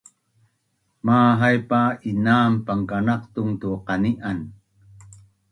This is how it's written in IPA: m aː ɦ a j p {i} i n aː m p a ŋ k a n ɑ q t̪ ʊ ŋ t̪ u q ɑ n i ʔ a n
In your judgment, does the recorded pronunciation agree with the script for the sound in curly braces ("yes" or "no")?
no